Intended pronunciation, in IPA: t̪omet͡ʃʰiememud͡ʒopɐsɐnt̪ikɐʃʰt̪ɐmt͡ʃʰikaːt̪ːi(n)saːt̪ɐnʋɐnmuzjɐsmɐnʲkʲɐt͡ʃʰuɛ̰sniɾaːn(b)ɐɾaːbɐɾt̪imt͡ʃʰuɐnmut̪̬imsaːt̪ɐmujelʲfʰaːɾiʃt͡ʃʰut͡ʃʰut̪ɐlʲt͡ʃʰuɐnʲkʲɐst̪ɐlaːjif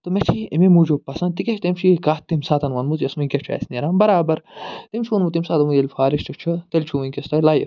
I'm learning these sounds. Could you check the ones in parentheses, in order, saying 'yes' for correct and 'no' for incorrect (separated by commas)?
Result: no, yes